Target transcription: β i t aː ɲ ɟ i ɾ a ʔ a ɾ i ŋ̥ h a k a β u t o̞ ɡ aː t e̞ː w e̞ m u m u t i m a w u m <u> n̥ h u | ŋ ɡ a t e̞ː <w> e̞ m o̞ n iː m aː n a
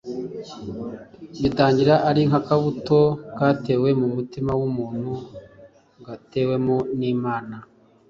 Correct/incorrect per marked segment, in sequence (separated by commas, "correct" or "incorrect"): incorrect, correct